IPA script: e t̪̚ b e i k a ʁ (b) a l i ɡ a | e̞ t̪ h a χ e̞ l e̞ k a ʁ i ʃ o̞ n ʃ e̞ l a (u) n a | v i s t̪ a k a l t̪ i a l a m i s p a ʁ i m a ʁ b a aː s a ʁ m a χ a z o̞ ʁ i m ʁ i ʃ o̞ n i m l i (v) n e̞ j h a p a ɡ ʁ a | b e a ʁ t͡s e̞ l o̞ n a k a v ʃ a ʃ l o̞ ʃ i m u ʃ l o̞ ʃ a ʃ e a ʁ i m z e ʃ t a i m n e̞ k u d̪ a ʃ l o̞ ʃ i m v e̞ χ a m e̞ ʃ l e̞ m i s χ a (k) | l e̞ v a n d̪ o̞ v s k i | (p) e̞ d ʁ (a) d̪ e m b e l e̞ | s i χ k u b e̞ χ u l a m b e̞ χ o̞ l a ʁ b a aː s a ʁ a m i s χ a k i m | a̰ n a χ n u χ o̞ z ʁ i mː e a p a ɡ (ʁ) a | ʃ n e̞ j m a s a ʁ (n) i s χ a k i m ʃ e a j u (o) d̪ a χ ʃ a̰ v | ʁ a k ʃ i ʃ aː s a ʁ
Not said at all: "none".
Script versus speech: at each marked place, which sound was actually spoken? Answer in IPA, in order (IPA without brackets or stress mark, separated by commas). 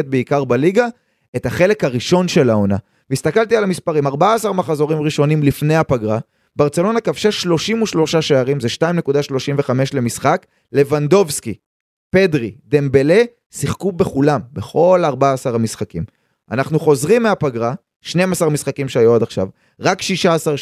b, o, f, k, p, i, ʁ, m, o